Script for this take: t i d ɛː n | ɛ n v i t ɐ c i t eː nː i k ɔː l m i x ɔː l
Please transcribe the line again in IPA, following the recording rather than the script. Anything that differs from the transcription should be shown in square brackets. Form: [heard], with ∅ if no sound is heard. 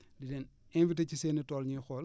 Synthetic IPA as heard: [d] i d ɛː n | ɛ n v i t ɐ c i [s] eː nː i [t] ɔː l [ɲ] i x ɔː l